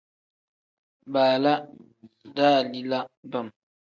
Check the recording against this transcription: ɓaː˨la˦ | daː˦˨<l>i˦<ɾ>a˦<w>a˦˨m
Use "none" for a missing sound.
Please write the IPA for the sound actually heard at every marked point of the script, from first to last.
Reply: l, l, b

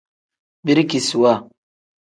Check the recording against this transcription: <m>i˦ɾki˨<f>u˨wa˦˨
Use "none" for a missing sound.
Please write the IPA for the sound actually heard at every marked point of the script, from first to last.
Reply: b, s

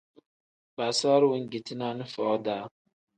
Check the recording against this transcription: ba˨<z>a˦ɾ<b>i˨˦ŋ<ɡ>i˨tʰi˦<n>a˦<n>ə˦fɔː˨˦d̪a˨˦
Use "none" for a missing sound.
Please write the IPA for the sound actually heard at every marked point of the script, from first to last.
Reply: s, w, ɡ, n, n

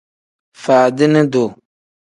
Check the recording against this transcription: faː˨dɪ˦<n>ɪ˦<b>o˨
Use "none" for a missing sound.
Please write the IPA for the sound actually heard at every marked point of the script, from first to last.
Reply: n, d

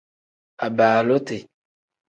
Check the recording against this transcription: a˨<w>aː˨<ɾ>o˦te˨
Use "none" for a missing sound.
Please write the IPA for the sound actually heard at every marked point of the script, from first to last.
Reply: b, l

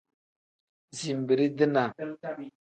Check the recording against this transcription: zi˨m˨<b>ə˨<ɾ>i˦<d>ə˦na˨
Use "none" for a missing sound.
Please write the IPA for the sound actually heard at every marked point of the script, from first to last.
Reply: b, ɾ, d

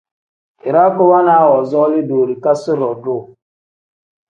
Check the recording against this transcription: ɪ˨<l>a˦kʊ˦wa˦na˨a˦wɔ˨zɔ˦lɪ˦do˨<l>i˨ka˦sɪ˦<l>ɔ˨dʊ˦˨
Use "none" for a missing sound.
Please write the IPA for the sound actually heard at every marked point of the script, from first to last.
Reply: ɾ, ɾ, ɾ

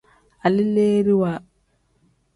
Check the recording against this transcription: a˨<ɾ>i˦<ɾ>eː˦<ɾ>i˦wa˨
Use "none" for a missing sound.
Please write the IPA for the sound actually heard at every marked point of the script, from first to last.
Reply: l, l, ɾ

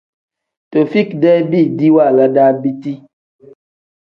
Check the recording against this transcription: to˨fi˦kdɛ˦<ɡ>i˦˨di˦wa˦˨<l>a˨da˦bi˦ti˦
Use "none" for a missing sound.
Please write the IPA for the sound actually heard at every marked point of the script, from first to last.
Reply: b, l

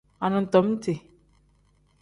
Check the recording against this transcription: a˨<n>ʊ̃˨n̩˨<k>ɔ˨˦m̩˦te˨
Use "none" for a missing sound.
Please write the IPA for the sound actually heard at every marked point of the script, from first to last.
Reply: n, t

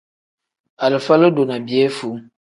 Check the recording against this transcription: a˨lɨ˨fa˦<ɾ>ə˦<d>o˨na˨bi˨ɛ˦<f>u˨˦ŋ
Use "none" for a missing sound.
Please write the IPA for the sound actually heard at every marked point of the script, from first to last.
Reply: l, d, f

